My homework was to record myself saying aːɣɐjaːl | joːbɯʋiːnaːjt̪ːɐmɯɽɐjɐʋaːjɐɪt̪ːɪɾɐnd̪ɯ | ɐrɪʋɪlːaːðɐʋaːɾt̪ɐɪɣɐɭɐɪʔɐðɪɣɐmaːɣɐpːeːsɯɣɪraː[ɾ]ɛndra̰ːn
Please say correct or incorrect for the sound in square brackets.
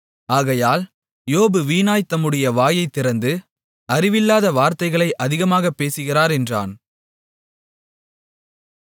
correct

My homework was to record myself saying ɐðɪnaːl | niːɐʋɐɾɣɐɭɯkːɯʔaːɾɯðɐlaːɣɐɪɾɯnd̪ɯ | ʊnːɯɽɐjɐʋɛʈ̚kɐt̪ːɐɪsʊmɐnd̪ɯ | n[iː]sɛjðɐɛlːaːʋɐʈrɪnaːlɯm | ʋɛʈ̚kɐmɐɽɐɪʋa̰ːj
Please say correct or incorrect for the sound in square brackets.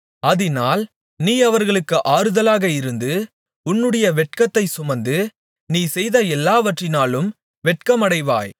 correct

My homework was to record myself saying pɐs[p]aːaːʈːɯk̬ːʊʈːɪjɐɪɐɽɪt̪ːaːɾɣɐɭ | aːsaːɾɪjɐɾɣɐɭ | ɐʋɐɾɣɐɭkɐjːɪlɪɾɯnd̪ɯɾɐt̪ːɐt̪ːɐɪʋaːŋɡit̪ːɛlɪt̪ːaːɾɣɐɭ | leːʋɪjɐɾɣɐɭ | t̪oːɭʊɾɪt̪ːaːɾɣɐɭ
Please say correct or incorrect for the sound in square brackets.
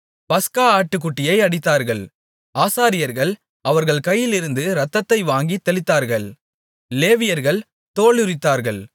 incorrect: k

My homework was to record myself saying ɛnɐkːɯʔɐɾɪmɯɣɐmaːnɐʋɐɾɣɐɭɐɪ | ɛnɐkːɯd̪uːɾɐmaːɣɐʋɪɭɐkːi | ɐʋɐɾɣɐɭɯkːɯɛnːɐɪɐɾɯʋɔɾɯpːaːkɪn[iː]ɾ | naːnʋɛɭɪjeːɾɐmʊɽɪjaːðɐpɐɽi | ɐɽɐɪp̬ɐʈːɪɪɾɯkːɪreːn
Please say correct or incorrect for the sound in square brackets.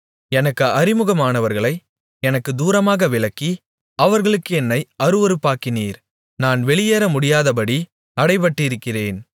correct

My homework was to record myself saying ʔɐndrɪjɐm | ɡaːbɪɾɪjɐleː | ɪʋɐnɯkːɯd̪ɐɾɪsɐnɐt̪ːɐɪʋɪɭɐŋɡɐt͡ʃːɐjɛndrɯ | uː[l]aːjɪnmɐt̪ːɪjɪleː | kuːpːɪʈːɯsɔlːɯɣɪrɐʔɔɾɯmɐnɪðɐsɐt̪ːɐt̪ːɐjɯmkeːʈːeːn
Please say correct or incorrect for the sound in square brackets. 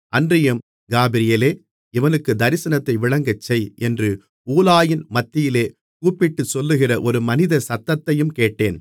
correct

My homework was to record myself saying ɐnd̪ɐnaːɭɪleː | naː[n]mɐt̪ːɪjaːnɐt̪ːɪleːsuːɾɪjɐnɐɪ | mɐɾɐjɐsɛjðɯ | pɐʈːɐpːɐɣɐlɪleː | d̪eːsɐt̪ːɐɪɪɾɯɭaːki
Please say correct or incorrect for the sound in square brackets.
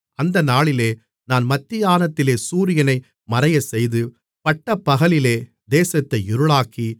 correct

